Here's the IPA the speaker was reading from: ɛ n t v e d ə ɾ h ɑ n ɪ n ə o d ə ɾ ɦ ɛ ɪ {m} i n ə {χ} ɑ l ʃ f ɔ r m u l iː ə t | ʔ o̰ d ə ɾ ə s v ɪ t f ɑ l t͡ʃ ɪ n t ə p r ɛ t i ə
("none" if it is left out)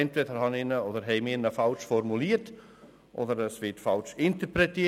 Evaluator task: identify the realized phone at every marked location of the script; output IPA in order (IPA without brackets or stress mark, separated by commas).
m, f